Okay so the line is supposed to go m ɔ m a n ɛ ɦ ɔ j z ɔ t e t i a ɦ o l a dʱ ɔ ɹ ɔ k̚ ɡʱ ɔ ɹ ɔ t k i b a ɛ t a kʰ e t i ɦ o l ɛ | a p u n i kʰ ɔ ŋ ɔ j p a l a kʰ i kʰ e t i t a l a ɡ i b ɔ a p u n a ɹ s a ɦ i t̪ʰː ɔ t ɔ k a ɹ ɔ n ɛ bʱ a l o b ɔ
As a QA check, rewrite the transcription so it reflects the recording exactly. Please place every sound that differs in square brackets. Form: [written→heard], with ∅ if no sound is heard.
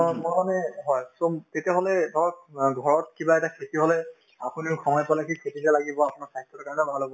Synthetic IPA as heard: m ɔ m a n ɛ ɦ ɔ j [z→s] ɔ t e t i a ɦ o l [a→ɛ] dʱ ɔ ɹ ɔ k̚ ɡʱ ɔ ɹ ɔ t k i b a ɛ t a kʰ e t i ɦ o l ɛ | a p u n i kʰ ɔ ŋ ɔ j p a l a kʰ i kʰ e t i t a l a ɡ i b ɔ a p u n a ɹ s a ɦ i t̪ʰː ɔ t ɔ k a ɹ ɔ n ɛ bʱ a l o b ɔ